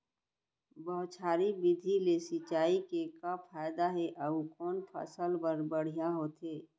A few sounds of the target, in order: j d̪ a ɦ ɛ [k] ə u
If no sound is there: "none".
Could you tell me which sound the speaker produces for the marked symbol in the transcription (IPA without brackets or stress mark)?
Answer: ʔ